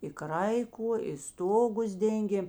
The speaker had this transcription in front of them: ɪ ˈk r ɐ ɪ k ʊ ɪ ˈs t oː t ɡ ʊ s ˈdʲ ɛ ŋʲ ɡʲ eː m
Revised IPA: ɪ ˈk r ɐ ɪ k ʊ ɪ ˈs t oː ɡ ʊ s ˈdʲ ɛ ŋʲ ɡʲ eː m

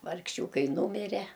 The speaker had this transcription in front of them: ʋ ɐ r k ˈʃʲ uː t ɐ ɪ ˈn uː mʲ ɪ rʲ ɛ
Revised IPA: ʋ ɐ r k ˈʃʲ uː k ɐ ɪ ˈn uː mʲ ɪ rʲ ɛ

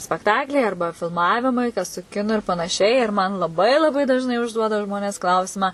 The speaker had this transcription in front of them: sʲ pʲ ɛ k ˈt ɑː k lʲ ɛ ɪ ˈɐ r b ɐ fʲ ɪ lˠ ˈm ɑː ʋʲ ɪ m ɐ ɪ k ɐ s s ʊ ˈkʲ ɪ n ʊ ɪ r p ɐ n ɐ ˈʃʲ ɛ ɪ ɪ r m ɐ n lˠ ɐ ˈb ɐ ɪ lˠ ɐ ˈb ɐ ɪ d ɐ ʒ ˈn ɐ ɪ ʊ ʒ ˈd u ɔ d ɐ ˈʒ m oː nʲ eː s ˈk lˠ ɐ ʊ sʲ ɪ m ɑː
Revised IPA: sʲ pʲ ɛ k ˈt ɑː k lʲ ɛ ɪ ˈɐ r b ɐ fʲ ɪ lˠ ˈm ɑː ʋʲ ɪ m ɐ ɪ k ɐ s s ʊ ˈkʲ ɪ n ʊ ɪ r p ɐ n ɐ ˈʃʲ ɛ ɪ ɪ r m ɐ n lˠ ɐ ˈb ɐ ɪ lˠ ɐ ˈb ɐ ɪ d ɐ ʒ ˈn ɐ ɪ ʊ ʒ ˈd u ɔ d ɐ ˈʒ m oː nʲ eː s ˈk lˠ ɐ ʊ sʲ ɪ m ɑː

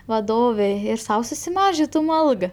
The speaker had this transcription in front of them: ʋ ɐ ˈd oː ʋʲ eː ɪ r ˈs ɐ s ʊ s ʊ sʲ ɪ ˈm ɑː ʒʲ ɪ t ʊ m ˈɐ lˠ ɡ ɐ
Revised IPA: ʋ ɐ ˈd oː ʋʲ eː ɪ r ˈs ɐ ʊ s ʊ sʲ ɪ ˈm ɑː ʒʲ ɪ t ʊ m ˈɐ lˠ ɡ ɐ

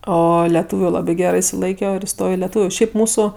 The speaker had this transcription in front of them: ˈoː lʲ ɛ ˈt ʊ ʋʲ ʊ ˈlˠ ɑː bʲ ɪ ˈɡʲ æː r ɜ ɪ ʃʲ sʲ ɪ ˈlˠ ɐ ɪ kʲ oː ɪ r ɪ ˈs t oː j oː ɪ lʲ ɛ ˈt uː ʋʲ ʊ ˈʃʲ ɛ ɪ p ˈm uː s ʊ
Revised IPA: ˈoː lʲ ɛ ˈt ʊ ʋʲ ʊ ˈlˠ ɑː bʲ ɪ ˈɡʲ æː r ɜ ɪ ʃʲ sʲ ɪ ˈlˠ ɐ ɪ kʲ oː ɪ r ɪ ˈs t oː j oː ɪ lʲ ɛ ˈt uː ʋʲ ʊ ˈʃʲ ɛ ɪ p ˈm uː s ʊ

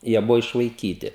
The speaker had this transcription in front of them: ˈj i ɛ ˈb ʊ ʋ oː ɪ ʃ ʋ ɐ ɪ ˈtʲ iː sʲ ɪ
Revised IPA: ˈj i ɛ ˈb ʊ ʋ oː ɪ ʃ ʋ ɐ ɪ ˈkʲ iː tʲ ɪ

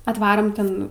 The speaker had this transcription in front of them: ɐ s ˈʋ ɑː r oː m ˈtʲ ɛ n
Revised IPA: ɐ t ˈʋ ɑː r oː m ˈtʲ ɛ n

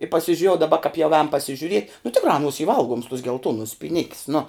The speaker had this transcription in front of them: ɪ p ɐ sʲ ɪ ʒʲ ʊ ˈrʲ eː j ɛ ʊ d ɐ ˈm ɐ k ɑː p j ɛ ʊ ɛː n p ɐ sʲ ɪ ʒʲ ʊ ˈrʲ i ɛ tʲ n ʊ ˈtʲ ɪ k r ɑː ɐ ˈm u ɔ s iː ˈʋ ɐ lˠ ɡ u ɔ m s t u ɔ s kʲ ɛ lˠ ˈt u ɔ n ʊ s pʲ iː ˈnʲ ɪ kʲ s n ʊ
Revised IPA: ɪ p ɐ sʲ ɪ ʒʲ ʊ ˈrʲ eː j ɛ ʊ d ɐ ˈb ɐ k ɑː p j ɛ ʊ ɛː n p ɐ sʲ ɪ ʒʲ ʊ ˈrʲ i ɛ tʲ n ʊ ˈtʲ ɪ k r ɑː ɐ ˈn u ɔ s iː ˈʋ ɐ lˠ ɡ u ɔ m s t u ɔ s ɡʲ ɛ lˠ ˈt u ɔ n ʊ s pʲ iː ˈnʲ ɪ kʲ s n ʊ

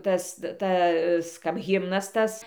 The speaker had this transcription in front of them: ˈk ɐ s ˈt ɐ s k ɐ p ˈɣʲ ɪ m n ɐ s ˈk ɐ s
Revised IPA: ˈt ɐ s ˈt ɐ s k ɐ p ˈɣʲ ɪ m n ɐ s ˈt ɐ s

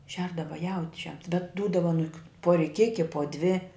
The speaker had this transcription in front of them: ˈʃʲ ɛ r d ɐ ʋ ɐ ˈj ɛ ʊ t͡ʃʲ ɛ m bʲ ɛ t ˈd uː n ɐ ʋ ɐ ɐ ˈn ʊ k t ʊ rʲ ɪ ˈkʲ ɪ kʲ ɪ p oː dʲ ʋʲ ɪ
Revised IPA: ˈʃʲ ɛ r d ɐ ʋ ɐ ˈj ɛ ʊ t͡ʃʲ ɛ m bʲ ɛ t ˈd uː d ɐ ʋ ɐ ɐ ˈn ʊ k p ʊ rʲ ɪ ˈkʲ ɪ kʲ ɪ p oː dʲ ʋʲ ɪ

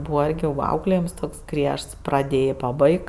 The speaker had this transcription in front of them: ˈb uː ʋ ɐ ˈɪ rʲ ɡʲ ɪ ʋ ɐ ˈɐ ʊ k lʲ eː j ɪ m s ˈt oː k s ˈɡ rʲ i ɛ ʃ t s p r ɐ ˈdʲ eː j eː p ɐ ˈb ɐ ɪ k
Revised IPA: ˈb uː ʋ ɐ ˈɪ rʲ ɡʲ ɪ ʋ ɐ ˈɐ ʊ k lʲ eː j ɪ m s ˈt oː k s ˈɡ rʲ i ɛ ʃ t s p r ɐ ˈdʲ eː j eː p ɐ ˈb ɐ ɪ k

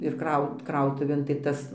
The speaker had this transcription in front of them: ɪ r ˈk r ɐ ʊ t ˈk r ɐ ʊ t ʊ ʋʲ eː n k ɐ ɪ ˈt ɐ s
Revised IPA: ɪ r ˈk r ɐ ʊ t ˈk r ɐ ʊ t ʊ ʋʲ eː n t ɐ ɪ ˈt ɐ s

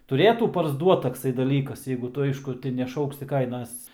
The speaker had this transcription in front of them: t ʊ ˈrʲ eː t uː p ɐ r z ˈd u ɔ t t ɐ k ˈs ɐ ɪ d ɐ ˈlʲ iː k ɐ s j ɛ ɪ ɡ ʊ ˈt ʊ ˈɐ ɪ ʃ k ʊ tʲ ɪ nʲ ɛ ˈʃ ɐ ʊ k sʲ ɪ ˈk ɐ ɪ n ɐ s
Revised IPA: t ʊ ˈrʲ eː t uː p ɐ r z ˈd u ɔ t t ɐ k ˈs ɐ ɪ d ɐ ˈlʲ iː k ɐ s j ɛ ɪ ɡ ʊ ˈt ʊ ˈɐ ɪ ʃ k ʊ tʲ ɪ nʲ ɛ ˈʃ ɐ ʊ k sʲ ɪ ˈk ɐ ɪ n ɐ s

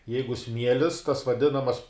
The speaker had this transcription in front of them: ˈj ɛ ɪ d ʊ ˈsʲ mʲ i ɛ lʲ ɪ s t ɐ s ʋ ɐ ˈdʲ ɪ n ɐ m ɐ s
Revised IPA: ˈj ɛ ɪ ɡ ʊ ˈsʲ mʲ i ɛ lʲ ɪ s t ɐ s ʋ ɐ ˈdʲ ɪ n ɐ m ɐ s

